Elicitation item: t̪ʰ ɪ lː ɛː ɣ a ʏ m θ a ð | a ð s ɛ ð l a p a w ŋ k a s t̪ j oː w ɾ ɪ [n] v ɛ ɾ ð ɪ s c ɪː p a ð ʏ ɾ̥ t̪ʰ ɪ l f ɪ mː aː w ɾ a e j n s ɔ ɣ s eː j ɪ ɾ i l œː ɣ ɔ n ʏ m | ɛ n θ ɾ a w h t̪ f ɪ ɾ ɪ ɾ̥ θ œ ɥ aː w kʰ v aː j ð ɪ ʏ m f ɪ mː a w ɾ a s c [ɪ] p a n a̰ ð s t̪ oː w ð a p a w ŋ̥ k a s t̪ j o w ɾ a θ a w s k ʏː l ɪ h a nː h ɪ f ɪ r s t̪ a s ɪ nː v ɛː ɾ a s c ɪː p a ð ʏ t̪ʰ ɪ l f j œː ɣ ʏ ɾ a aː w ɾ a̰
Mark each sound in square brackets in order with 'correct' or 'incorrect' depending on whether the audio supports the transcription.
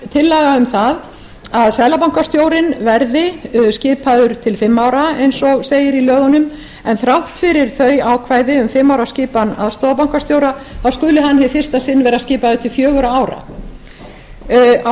correct, incorrect: ɪː

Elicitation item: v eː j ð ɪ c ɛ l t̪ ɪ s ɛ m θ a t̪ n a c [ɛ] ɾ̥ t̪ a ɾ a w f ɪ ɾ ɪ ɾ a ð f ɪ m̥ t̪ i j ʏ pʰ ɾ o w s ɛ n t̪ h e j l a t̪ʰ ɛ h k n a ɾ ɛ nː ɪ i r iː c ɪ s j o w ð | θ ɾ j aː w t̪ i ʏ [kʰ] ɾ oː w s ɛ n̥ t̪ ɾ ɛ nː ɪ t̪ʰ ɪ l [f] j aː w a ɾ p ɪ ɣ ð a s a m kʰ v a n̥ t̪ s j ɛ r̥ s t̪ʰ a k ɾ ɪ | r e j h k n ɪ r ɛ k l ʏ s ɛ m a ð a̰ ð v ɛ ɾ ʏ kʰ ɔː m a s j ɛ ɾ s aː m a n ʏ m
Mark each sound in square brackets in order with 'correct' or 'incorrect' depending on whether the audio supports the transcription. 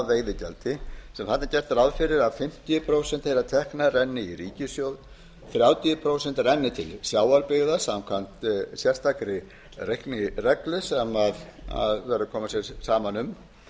correct, incorrect: pʰ, incorrect: s

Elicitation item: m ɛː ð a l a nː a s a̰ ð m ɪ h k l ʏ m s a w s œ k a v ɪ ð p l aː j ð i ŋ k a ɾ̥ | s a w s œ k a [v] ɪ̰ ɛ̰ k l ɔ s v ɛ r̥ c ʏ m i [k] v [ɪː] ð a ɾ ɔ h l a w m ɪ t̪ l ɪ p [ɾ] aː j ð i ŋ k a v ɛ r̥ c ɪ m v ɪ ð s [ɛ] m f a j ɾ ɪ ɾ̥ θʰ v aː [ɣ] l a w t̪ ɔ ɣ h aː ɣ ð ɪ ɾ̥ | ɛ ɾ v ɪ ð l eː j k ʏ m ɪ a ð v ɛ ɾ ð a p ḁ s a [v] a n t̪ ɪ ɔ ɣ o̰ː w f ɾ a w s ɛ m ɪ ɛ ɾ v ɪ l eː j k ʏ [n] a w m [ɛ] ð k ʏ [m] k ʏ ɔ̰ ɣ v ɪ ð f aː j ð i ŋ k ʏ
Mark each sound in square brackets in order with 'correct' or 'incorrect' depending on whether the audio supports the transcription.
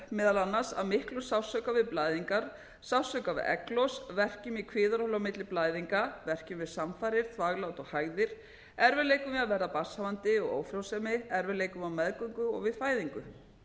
correct, incorrect: kʰ, correct, incorrect: l, incorrect: a, correct, correct, incorrect: m, correct, incorrect: ŋ

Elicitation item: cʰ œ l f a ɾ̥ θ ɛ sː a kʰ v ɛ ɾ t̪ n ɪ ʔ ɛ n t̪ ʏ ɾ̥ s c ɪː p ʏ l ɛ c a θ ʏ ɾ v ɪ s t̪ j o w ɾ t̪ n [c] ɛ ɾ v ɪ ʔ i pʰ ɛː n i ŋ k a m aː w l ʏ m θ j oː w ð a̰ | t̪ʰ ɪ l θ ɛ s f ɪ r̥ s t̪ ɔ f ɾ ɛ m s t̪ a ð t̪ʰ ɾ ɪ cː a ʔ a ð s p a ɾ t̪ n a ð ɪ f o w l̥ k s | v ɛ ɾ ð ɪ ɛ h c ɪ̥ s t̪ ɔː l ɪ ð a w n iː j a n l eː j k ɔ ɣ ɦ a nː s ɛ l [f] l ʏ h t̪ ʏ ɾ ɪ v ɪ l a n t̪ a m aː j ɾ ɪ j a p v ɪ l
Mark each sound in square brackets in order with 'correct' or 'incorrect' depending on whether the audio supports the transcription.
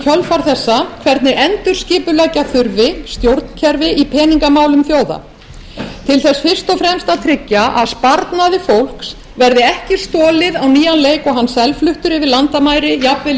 incorrect: cʰ, correct

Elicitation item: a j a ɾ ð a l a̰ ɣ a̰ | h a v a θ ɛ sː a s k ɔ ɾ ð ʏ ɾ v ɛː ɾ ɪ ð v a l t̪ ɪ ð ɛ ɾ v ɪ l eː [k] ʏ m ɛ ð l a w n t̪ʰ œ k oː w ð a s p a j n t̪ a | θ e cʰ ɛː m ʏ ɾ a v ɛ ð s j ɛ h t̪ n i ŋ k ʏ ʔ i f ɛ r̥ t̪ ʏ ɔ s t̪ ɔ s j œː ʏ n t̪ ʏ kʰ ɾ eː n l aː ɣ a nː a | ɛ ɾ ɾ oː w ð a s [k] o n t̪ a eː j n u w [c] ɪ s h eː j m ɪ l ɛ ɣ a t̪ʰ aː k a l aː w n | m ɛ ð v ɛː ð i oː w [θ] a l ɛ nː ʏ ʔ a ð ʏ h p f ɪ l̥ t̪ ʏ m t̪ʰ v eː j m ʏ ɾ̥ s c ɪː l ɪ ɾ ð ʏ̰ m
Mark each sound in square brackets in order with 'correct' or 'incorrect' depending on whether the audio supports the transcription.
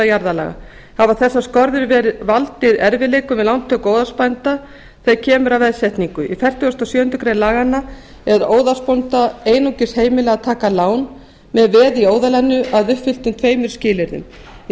correct, incorrect: p, correct, incorrect: ð

